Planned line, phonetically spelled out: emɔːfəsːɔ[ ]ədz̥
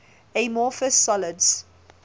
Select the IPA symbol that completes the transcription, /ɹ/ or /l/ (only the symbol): l